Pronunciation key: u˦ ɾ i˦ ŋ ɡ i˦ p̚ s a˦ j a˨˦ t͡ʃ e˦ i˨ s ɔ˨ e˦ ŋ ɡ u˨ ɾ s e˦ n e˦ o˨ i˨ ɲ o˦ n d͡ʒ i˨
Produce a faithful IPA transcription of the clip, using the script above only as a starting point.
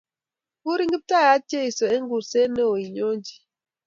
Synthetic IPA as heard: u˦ ɾ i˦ ŋ ɡ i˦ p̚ t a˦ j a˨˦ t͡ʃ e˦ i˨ s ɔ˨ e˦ ŋ ɡ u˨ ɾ s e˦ n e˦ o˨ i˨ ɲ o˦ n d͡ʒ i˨